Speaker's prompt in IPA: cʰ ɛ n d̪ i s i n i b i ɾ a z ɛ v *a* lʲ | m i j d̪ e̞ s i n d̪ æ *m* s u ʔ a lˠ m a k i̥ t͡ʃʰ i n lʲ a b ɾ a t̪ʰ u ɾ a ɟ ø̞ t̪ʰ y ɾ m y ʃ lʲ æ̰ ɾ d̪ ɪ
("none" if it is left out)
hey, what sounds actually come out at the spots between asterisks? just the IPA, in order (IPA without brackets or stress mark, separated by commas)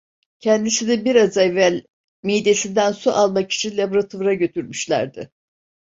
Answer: æ, n